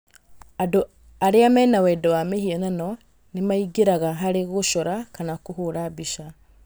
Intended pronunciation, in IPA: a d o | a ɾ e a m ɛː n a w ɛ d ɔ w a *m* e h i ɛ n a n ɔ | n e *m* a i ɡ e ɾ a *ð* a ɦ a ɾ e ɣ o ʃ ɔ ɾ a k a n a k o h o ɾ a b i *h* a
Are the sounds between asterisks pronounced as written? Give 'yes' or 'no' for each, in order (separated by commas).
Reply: yes, yes, no, no